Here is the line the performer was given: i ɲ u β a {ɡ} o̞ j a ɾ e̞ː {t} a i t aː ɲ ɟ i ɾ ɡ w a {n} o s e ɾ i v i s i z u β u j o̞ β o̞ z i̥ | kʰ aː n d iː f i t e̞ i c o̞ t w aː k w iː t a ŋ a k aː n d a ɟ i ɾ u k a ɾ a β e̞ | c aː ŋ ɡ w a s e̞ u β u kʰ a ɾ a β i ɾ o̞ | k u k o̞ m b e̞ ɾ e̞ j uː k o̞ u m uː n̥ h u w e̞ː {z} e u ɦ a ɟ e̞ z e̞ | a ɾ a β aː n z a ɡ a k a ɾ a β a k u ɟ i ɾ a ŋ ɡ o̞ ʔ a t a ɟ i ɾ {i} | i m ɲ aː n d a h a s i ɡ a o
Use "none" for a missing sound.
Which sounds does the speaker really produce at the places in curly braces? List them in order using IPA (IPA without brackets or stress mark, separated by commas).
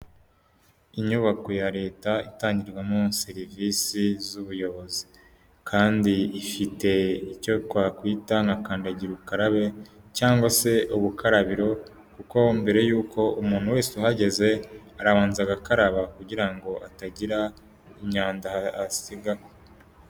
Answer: k, t, m, s, a